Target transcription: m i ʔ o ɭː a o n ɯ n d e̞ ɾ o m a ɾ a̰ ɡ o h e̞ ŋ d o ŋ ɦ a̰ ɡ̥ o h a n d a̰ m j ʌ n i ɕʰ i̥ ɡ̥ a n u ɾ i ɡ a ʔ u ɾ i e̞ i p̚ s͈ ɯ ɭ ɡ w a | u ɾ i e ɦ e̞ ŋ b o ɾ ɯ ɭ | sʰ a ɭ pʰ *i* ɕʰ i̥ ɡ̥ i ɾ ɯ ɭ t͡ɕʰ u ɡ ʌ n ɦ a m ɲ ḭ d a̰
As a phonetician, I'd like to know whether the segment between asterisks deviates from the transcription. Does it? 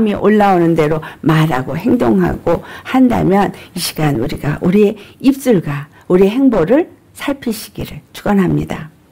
no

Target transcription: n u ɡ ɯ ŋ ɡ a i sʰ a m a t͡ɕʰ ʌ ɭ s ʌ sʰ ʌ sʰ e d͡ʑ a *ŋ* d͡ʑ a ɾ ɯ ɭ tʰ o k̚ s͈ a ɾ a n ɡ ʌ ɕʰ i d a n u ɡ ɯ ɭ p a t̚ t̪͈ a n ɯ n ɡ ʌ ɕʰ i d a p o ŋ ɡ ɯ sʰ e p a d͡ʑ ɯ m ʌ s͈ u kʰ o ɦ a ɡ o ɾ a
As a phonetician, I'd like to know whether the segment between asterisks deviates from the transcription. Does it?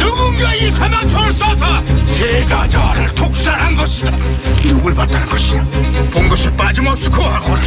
yes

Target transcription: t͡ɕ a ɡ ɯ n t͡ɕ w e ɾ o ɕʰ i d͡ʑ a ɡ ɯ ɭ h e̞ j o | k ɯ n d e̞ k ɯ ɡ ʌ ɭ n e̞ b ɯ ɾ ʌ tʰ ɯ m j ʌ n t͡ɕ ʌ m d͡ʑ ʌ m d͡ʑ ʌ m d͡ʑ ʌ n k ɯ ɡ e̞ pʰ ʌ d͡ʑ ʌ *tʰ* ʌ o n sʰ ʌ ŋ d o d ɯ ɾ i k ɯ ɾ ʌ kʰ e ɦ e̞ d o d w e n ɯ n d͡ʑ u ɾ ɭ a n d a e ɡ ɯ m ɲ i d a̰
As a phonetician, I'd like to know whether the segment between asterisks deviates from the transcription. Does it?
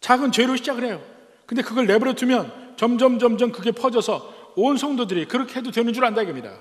yes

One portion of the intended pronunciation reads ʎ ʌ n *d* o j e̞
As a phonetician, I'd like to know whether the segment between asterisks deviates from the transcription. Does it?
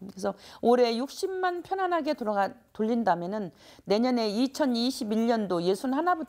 no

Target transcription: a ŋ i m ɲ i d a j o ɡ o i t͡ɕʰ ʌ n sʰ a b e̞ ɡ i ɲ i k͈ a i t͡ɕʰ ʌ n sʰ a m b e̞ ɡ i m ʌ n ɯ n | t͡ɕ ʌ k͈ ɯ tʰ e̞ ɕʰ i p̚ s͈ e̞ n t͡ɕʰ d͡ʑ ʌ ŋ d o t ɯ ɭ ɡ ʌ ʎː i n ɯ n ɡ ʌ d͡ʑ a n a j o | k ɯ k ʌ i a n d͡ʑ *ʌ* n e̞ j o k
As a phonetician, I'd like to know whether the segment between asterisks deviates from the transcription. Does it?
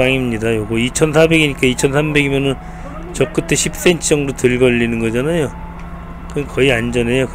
no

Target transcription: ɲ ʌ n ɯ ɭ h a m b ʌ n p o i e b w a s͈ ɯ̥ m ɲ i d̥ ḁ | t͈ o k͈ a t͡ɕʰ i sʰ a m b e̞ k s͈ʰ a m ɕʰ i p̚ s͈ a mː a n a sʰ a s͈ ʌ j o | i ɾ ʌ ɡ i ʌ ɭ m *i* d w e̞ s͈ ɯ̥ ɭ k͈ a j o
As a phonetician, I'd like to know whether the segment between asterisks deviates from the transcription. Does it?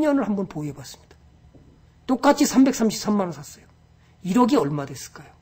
yes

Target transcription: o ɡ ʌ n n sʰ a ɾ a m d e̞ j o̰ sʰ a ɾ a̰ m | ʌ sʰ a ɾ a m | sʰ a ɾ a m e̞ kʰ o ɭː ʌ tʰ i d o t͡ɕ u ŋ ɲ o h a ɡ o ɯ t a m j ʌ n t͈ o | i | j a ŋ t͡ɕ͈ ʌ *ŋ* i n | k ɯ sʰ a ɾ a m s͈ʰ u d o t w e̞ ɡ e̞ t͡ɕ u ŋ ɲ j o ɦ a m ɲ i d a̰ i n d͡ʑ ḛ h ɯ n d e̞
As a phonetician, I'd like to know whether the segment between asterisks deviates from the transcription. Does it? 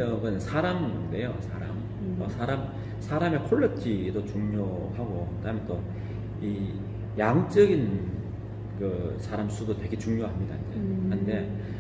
yes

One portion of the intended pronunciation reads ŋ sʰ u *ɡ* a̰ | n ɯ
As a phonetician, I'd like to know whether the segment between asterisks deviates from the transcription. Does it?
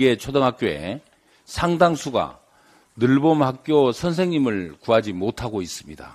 no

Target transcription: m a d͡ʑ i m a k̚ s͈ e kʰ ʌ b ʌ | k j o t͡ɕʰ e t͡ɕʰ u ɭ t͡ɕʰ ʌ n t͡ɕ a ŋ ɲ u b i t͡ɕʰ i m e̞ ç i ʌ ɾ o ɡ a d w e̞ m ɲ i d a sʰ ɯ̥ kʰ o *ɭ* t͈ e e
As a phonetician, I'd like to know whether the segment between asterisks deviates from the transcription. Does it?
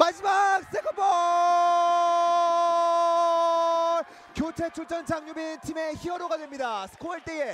no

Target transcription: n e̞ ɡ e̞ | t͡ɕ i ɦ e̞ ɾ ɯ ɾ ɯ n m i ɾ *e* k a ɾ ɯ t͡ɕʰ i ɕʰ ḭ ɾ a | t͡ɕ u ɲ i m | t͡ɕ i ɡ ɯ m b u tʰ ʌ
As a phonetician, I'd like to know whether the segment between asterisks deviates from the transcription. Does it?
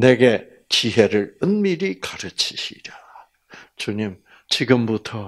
yes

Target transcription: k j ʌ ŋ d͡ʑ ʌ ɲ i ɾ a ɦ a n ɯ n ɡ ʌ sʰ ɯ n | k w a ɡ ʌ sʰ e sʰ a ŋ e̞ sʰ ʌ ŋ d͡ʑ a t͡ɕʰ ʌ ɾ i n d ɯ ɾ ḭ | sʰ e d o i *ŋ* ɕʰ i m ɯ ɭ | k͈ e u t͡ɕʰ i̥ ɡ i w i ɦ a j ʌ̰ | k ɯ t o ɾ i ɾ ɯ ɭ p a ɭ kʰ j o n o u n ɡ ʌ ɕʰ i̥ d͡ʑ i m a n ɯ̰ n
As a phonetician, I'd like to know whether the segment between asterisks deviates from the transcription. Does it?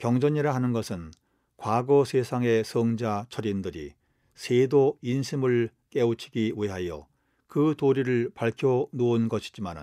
yes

